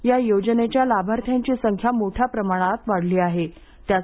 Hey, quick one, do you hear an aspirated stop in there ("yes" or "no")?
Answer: yes